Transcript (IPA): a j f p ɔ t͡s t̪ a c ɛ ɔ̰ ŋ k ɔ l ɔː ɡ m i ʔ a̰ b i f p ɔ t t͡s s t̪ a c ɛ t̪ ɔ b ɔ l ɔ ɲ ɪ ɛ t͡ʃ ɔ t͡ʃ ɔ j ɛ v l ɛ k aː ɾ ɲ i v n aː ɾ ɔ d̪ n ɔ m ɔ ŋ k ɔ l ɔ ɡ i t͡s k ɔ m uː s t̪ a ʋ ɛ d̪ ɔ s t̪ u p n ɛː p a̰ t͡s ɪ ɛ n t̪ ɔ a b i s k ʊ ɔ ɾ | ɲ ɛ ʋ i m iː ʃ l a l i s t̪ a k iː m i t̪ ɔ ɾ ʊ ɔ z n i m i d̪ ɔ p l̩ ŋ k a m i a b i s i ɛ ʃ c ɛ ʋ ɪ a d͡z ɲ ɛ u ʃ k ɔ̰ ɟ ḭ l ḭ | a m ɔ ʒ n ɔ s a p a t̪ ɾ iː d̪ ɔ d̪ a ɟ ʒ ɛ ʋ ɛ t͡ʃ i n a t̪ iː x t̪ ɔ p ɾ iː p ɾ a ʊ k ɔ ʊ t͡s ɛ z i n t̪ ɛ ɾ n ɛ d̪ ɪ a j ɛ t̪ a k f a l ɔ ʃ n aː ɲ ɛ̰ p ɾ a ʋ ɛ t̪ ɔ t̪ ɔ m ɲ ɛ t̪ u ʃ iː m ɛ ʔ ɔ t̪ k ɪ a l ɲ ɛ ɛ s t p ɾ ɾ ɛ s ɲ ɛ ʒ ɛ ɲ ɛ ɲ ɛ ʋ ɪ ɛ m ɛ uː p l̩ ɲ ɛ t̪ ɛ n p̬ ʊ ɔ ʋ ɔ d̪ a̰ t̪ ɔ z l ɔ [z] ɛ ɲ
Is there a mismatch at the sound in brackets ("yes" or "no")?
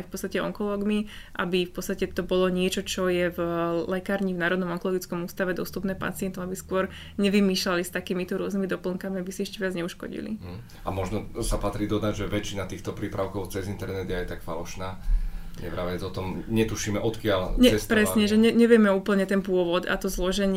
yes